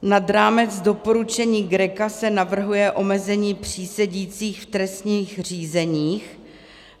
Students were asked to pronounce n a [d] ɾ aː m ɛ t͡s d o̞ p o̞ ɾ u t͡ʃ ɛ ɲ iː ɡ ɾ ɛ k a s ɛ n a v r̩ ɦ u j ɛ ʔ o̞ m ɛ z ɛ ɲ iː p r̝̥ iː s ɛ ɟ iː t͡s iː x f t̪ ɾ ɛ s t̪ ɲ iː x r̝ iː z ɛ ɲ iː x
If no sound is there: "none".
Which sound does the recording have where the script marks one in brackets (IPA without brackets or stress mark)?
d